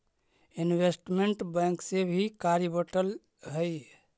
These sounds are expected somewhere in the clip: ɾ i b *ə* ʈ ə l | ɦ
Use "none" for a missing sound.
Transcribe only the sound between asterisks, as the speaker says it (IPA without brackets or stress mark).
ə